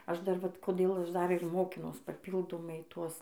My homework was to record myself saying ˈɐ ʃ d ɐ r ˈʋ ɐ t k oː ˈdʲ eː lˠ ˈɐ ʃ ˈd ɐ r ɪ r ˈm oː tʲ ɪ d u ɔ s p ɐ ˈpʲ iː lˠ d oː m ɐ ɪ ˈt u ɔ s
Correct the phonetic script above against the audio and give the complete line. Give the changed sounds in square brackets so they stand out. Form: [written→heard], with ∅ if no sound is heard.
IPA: ˈɐ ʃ d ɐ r ˈʋ ɐ t k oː ˈdʲ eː lˠ ˈɐ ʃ ˈd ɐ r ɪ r ˈm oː [tʲ→kʲ] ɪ [d→n] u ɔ s p ɐ ˈpʲ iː lˠ d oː m ɐ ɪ ˈt u ɔ s